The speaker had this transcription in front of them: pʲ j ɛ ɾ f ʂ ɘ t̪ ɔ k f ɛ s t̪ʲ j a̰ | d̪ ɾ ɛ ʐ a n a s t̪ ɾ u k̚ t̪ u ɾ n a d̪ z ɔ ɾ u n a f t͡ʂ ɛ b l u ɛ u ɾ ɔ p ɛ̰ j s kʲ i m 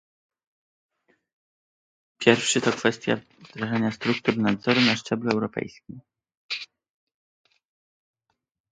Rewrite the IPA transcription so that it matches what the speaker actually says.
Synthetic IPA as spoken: pʲ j ɛ ɾ f ʂ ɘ t̪ ɔ k f ɛ s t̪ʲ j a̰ | d̪ ɾ a ʐ a ɲ a s t̪ ɾ u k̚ t̪ u ɾ n a d̪ z ɔ ɾ u n a ʂ t͡ʂ ɛ b l u ɛ w ɾ ɔ p ɛ̰ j s kʲ i m

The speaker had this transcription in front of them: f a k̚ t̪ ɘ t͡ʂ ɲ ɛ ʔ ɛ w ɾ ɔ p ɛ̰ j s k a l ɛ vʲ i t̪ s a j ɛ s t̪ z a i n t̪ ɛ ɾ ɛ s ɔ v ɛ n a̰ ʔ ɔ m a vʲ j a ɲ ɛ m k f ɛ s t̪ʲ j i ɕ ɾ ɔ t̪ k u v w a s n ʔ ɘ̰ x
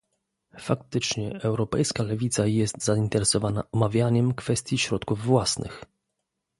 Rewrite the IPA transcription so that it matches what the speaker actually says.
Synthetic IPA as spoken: f a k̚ t̪ ɘ t͡ʂ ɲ ɛ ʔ ɛ w ɾ ɔ p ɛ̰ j s k a l ɛ vʲ i t̪ s a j ɛ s t̪ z a i n t̪ ɛ ɾ ɛ s ɔ v a n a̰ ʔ ɔ m a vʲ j a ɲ ɛ m k f ɛ s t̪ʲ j i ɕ ɾ ɔ t̪ k u vː w a s n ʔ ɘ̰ x

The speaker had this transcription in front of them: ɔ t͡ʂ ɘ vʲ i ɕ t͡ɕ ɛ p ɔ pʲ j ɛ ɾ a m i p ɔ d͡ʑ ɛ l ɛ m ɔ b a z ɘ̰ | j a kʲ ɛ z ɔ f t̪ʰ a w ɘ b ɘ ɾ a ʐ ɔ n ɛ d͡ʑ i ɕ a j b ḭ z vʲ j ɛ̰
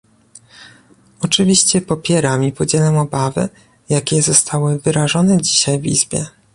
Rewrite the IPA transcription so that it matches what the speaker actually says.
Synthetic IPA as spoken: ɔ t͡ʂ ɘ vʲ i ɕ t͡ɕ ɛ p ɔ pʲ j ɛ ɾ a m i p ɔ d͡ʑ ɛ l ɛ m ɔ b a v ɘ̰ | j a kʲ ɛ z ɔ s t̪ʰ a w ɘ v ɘ ɾ a ʐ ɔ n ɛ d͡ʑ i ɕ a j v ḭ z bʲ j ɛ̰

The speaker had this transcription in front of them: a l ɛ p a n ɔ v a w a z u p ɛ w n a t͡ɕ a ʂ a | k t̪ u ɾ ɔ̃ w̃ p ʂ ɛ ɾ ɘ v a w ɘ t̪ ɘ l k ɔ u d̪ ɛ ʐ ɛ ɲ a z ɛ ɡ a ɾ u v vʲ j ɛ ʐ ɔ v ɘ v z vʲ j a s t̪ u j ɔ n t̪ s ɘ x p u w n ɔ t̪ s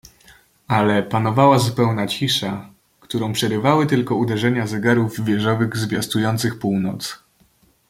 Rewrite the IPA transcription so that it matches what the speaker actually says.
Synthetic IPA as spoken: a l ɛ p a n ɔ v a w a z u p ɛ w n a t͡ɕ i ʂ a | k t̪ u ɾ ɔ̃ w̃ p ʂ ɛ ɾ ɘ v a w ɘ t̪ ɘ l k ɔ u d̪ ɛ ʐ ɛ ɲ a z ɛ ɡ a ɾ u v vʲ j ɛ ʐ ɔ v ɘ ɣ z vʲ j a s t̪ u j ɔ n t̪ s ɘ x p u w n ɔ t̪ s

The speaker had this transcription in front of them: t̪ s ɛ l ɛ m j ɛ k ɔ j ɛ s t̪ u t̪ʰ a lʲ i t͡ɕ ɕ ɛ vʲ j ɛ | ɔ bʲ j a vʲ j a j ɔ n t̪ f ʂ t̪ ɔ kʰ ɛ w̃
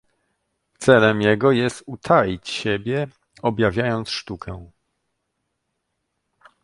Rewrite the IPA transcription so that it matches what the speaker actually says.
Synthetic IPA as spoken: t̪ s ɛ l ɛ m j ɛ ɡ ɔ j ɛ s t̪ u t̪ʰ a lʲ i t͡ɕ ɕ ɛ bʲ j ɛ | ɔ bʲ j a vʲ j a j ɔ n t̪ s ʂ t̪ u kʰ ɛ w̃

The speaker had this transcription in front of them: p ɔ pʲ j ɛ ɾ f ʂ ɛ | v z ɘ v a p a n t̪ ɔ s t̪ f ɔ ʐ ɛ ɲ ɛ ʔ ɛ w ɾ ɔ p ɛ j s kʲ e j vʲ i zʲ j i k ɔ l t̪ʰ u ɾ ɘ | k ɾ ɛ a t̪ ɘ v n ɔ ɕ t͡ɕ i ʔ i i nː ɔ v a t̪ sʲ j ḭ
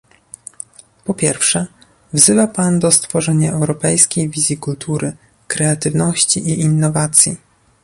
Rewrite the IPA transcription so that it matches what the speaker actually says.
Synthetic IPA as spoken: p ɔ pʲ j ɛ ɾ f ʂ ɛ | v z ɘ v a p a n d̪ ɔ s t̪ f ɔ ʐ ɛ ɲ a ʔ ɛ w ɾ ɔ p ɛ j s kʲ e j vʲ i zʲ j i k u l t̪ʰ u ɾ ɘ | k ɾ ɛ a t̪ ɘ v n ɔ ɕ t͡ɕ i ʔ i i nː ɔ v a t̪ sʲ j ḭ

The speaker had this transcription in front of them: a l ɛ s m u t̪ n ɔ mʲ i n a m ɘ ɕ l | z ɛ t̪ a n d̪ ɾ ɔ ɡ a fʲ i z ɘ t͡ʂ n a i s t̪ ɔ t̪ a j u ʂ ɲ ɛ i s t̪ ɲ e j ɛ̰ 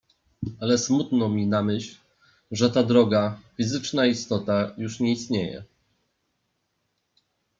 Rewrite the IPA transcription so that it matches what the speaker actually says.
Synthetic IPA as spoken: a l ɛ s m u t̪ n ɔ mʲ i n a m ɘ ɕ l | ʐ ɛ t̪ a d̪ ɾ ɔ ɡ a fʲ i z ɘ t͡ʂ n a i s t̪ ɔ t̪ a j u ʂ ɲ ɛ i s t̪ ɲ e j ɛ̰

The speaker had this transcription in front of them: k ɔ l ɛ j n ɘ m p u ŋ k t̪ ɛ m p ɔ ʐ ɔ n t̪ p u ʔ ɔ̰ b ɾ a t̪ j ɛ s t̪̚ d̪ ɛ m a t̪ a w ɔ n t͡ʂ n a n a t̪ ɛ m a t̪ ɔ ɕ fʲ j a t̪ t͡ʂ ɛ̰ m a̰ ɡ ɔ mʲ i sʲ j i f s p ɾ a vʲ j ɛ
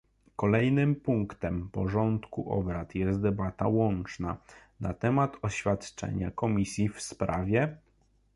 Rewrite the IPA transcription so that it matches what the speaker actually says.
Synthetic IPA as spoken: k ɔ l ɛ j n ɘ m p u ŋ k t̪ ɛ m p ɔ ʐ ɔ n t̪ k u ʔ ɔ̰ b ɾ a t̪ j ɛ s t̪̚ d̪ ɛ b a t̪ a w ɔ n t͡ʂ n a n a t̪ ɛ m a t̪ ɔ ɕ fʲ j a t̪ t͡ʂ ɛ̰ ɲ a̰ k ɔ mʲ i sʲ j i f s p ɾ a vʲ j ɛ

